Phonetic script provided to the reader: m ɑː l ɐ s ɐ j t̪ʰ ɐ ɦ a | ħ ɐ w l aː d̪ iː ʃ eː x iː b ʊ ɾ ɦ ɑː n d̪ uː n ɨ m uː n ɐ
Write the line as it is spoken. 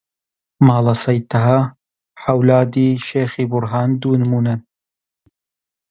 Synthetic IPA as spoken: m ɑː l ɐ s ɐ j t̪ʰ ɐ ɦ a | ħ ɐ w l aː d̪ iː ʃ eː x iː b ʊ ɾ ɦ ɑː n d̪ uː n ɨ m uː n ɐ